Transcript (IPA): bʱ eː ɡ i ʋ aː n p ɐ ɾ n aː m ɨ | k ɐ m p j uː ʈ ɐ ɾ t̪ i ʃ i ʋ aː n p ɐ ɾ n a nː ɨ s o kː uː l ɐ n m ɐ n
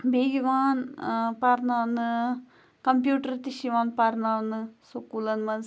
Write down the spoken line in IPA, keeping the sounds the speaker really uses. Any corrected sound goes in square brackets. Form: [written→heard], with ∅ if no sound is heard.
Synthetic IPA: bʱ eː ɡ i ʋ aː n p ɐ ɾ n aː [m→n] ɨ | k ɐ m p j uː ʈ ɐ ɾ t̪ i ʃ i ʋ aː n p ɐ ɾ n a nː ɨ s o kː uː l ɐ n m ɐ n